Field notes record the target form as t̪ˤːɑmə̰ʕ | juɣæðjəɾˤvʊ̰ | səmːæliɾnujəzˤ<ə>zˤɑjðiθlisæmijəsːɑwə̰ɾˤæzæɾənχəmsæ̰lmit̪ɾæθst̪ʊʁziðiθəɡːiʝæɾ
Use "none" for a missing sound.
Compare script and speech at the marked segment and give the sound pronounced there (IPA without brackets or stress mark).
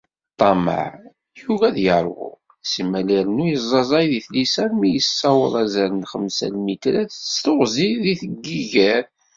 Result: ɑ